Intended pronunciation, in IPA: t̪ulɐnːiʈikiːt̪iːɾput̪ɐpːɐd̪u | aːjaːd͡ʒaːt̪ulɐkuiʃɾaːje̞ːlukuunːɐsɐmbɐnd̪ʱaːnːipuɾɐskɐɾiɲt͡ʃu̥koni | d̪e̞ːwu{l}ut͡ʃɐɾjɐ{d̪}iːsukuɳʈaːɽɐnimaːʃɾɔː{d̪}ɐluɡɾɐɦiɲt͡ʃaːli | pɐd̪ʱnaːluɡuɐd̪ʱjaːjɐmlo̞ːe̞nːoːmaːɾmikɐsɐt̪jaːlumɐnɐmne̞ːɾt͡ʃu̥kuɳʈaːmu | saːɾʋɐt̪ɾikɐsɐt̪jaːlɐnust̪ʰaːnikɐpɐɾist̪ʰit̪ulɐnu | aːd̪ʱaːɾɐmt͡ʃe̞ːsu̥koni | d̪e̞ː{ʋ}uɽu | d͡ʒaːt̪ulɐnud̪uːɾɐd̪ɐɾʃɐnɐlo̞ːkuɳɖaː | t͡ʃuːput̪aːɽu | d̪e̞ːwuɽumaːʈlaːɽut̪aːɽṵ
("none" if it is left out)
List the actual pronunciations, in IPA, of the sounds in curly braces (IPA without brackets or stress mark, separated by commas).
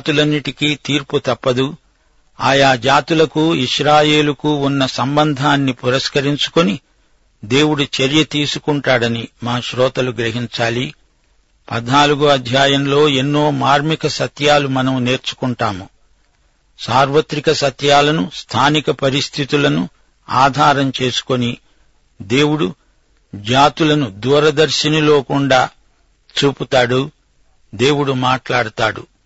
ɽ, t̪, t̪, w